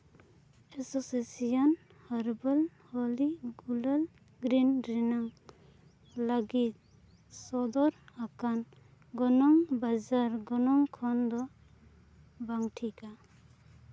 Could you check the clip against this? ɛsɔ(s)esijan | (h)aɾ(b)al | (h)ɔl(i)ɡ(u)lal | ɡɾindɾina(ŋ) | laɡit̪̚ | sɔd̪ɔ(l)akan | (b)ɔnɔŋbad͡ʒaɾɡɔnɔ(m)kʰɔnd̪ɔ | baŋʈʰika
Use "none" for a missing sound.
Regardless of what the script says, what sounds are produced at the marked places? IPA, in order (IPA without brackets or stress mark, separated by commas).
s, h, b, h, i, u, ŋ, ɾ, ɡ, ŋ